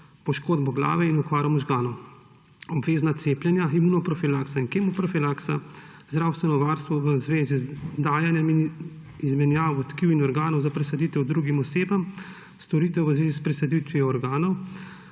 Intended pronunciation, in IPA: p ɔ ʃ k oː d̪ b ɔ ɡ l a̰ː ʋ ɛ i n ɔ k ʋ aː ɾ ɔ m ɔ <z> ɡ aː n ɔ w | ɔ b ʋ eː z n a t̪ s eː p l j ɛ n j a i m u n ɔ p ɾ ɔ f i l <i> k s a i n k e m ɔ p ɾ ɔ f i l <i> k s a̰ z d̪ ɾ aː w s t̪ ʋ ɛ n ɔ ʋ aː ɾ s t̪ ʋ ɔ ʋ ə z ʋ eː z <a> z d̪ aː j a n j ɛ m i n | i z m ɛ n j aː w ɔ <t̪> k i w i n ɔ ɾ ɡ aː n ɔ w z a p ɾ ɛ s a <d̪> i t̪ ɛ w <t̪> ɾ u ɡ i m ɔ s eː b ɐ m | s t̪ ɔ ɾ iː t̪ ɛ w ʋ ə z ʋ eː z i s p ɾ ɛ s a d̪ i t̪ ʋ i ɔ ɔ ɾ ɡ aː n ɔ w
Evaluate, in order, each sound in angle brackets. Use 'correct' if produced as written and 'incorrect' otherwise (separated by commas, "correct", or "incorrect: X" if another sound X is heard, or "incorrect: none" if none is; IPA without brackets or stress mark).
incorrect: ʒ, incorrect: a, incorrect: a, incorrect: i, correct, correct, incorrect: d̪